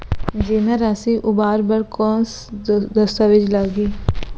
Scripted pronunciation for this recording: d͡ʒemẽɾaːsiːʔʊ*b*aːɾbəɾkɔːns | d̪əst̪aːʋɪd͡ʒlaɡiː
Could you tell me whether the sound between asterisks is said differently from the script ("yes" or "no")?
no